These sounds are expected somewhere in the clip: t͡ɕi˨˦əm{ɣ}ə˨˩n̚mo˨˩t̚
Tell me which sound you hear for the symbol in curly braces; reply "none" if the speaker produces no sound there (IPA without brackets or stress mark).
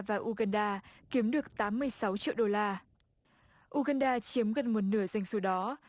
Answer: ɣ